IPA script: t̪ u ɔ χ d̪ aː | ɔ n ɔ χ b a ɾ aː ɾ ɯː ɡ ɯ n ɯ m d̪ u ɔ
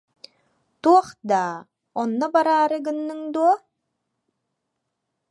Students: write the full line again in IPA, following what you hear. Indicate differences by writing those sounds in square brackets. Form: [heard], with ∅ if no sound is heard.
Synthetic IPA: t̪ u ɔ χ d̪ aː | ɔ [nː] ɔ [∅] b a ɾ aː ɾ [ɯ] ɡ ɯ [nː] ɯ [ŋ] d̪ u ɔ